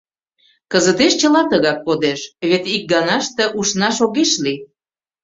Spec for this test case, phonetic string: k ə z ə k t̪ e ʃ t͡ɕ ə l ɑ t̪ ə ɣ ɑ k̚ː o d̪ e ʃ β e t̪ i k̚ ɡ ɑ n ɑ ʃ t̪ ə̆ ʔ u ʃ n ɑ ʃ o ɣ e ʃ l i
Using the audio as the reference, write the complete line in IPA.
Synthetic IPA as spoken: k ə z ə t̪ e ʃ t͡ɕ ə l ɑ t̪ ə ɣ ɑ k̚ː o d̪ e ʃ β e t̪ i k̚ ɡ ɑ n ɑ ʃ t̪ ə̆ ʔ u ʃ n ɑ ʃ o ɣ e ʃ l i